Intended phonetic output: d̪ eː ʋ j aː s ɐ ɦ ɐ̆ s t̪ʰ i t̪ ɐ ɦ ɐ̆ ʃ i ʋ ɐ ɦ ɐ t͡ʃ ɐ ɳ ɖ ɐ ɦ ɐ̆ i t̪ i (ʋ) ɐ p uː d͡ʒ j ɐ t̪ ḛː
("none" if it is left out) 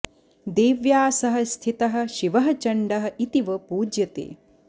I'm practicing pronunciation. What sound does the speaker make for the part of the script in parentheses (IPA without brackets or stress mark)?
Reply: ʋ